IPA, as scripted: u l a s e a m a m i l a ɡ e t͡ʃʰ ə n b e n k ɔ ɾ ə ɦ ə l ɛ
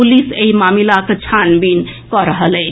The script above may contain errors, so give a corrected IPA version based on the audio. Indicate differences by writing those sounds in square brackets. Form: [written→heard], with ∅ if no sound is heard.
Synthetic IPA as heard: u l [a→i] s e [a→i] m a m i l a [ɡ→k] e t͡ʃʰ [ə→a] n b [e→i] n k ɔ ɾ ə ɦ ə l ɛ